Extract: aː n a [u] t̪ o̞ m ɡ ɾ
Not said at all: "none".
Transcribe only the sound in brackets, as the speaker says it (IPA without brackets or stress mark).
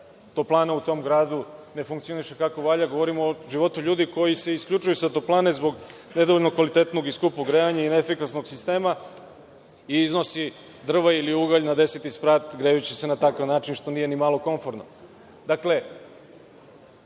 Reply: u